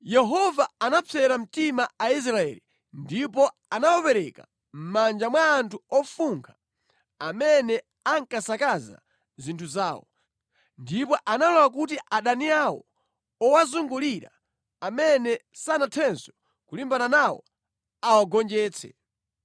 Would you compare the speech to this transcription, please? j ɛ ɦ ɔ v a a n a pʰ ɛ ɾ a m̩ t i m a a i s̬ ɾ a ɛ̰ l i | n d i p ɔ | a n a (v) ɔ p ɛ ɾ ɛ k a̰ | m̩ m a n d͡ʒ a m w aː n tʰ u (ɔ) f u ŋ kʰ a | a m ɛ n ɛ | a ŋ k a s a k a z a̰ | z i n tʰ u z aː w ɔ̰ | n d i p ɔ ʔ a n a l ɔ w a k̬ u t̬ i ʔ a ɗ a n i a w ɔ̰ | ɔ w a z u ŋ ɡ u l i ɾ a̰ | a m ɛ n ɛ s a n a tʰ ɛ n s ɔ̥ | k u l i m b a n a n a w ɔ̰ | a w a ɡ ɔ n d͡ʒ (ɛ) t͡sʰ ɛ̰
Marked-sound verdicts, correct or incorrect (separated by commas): incorrect, correct, incorrect